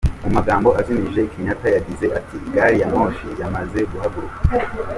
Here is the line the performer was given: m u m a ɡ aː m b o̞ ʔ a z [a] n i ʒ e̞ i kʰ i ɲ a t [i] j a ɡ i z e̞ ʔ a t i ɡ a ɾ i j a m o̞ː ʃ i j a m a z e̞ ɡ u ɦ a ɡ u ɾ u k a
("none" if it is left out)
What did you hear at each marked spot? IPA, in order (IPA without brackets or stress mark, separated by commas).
i, a